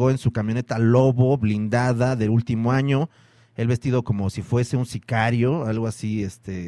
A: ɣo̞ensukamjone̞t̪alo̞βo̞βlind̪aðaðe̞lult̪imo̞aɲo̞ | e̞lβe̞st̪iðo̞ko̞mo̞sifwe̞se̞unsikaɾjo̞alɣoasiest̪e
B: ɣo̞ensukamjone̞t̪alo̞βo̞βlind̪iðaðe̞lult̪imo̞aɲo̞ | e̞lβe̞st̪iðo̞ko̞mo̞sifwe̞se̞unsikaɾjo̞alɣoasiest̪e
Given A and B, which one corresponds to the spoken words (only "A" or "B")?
A